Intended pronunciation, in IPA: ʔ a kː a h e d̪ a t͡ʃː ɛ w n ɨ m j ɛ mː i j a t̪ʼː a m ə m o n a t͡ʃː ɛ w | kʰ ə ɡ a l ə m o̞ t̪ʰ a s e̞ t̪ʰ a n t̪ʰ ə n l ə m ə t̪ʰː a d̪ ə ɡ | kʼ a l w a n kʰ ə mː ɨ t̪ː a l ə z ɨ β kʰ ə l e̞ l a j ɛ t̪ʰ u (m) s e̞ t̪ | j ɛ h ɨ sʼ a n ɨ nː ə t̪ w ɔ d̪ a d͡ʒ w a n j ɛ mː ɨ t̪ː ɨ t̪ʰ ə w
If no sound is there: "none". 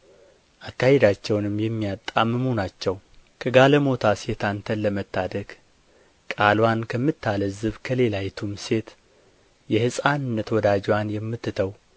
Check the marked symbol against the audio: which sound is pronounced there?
m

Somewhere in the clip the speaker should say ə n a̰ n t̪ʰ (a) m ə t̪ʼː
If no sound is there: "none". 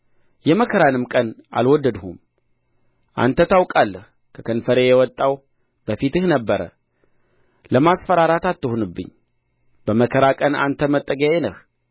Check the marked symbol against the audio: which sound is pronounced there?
ə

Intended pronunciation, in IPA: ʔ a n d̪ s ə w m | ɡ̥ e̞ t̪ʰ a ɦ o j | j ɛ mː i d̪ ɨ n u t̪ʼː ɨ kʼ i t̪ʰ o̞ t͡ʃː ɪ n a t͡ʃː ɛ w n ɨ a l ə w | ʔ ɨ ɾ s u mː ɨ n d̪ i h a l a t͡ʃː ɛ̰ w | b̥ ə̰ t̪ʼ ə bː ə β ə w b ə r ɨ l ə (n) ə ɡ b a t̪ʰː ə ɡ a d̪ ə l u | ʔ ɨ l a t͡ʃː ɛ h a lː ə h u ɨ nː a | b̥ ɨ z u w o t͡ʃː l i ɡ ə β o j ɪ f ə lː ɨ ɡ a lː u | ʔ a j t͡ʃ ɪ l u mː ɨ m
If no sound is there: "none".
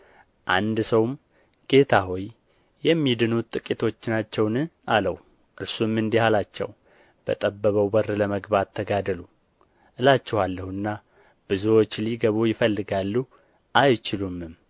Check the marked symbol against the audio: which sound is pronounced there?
m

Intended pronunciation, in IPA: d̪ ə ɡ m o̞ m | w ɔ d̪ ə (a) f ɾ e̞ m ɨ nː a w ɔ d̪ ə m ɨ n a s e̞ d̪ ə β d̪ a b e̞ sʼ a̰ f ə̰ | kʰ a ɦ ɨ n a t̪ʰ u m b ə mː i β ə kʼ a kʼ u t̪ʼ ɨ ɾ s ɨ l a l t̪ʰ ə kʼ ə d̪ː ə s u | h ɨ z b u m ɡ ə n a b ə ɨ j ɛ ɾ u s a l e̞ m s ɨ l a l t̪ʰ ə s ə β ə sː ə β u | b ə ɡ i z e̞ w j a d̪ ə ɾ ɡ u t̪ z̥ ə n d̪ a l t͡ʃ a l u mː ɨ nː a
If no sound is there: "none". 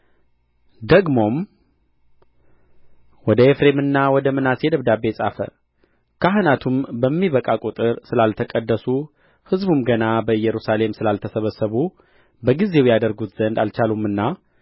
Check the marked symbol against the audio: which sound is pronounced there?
e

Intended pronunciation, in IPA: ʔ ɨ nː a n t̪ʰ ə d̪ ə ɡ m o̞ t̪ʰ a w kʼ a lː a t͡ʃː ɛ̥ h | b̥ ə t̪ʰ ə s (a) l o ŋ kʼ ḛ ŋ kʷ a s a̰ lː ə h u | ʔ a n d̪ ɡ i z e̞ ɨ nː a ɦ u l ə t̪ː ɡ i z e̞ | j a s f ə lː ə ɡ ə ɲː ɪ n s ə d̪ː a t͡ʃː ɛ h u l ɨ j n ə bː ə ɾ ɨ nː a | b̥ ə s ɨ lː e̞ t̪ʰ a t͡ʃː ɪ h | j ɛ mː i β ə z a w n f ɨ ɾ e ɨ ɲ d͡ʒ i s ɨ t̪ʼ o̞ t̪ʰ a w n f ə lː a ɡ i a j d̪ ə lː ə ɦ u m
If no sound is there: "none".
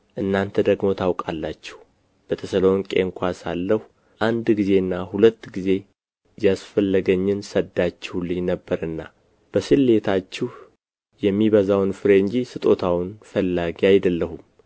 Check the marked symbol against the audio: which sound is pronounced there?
ə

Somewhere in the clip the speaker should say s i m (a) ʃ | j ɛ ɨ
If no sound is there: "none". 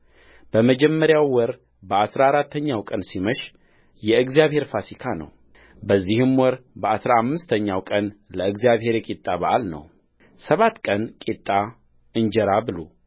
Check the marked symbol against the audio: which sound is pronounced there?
ə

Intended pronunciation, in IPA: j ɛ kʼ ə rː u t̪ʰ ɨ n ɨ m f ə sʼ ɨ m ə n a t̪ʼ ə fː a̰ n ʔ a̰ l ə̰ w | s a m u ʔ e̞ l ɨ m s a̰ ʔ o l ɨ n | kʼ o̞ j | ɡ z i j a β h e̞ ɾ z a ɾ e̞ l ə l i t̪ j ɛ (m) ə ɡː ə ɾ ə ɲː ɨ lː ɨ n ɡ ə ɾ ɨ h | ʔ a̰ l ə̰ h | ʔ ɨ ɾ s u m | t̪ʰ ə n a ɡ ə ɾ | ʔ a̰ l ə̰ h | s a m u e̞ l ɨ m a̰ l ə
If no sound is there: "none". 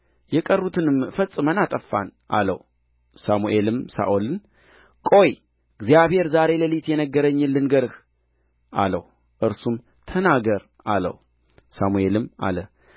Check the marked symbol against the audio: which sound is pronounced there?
n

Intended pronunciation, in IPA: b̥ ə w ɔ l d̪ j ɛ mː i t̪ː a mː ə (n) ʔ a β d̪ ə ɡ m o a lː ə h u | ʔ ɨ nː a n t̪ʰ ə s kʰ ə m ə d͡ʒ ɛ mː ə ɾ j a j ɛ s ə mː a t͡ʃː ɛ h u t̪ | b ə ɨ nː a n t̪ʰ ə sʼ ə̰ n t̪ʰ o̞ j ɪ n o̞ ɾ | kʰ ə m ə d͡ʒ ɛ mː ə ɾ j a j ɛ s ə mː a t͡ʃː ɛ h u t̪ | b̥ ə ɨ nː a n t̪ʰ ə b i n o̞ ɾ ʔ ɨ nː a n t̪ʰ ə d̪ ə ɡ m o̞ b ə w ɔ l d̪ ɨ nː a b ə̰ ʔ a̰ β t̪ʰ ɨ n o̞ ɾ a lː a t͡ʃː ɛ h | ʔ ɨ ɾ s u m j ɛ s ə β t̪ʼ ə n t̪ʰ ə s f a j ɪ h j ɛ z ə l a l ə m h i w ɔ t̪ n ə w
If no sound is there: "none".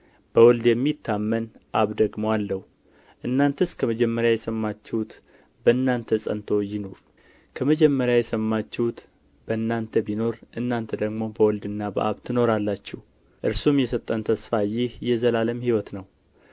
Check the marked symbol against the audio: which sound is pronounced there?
n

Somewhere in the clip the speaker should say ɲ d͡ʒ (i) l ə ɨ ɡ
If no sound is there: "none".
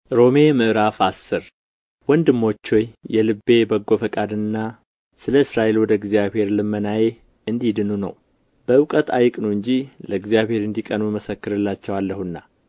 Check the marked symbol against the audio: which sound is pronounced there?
i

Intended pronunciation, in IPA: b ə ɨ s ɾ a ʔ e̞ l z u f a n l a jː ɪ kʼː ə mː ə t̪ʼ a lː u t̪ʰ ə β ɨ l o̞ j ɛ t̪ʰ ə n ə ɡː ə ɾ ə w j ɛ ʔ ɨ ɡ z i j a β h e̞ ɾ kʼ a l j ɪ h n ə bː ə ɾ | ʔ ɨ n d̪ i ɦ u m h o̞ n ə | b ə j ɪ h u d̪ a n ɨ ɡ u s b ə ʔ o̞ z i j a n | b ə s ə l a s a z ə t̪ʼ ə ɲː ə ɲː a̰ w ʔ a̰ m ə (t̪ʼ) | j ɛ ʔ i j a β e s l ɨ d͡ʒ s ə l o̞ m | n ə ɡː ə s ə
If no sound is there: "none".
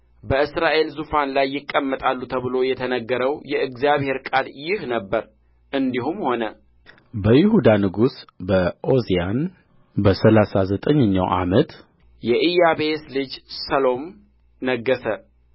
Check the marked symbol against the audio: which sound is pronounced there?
t̪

